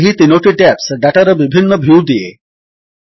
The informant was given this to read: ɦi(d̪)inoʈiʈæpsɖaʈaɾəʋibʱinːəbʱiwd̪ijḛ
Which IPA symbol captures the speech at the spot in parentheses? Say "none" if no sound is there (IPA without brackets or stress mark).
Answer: t̪